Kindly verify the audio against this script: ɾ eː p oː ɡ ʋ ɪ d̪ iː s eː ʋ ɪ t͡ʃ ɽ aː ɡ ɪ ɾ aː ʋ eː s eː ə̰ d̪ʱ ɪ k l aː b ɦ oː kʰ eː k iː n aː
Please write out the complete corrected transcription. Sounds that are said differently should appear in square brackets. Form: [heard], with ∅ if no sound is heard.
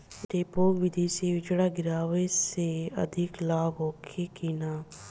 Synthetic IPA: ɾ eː p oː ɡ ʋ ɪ d̪ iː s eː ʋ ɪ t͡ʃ ɽ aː ɡ ɪ ɾ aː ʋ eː s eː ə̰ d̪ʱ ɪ k l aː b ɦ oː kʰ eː k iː n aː